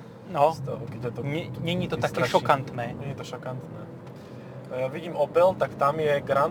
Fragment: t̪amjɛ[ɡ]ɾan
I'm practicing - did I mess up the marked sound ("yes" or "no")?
no